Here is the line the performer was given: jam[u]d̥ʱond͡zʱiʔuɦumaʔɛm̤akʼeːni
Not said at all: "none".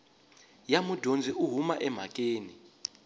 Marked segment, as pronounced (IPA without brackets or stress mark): u